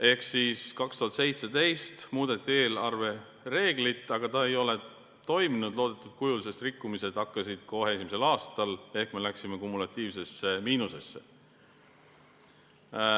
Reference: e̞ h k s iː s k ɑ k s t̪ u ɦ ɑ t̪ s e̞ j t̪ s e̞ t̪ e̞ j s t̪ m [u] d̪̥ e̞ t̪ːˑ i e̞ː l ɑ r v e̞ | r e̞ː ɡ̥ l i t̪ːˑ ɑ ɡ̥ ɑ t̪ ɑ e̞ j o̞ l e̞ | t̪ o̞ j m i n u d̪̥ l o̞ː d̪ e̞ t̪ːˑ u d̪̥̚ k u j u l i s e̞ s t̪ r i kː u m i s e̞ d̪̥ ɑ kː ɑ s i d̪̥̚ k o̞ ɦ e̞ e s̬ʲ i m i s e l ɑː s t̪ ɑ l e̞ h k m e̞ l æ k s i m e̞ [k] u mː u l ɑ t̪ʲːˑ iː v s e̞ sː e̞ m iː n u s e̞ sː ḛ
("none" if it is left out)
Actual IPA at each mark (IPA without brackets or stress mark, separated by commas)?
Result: uː, k